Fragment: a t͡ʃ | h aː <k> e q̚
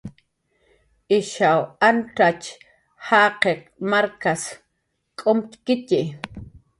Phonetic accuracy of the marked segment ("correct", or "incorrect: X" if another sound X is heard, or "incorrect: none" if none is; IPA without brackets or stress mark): incorrect: q